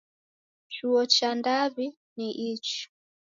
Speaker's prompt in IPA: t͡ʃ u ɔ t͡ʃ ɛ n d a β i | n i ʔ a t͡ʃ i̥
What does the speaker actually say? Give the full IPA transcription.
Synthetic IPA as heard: t͡ʃ u ɔ t͡ʃ a n d a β i | n i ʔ i t͡ʃ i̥